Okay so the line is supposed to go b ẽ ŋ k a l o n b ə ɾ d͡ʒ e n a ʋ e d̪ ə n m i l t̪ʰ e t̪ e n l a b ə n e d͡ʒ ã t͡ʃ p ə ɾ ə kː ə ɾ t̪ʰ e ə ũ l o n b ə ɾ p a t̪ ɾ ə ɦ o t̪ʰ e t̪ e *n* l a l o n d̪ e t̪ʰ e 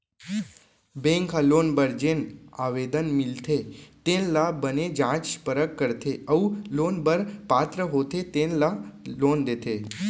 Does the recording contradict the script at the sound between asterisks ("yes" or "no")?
no